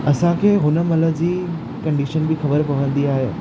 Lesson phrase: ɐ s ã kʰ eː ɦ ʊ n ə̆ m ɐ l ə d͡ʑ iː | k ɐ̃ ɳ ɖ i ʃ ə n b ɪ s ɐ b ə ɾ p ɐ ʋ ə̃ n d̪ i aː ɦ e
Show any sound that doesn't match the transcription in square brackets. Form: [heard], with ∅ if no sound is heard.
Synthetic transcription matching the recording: ɐ s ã kʰ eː ɦ ʊ n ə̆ m ɐ l ə d͡ʑ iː | k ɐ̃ ɳ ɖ i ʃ ə n b ɪ [x] ɐ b ə ɾ p ɐ ʋ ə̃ n d̪ i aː ɦ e